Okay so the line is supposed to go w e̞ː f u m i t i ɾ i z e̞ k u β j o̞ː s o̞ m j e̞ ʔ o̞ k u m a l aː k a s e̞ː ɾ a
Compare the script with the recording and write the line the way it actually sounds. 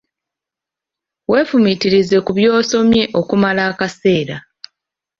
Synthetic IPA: w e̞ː f u m i t i ɾ i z e̞ k u β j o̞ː s o̞ m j e̞ ʔ o̞ k u m a l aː k a s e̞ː ɾ a